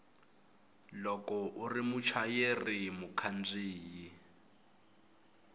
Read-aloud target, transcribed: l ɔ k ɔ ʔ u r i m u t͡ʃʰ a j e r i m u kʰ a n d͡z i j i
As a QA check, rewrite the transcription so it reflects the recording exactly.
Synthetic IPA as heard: l ɔ k ɔ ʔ u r i m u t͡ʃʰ a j e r i m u kʰ a n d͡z iː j i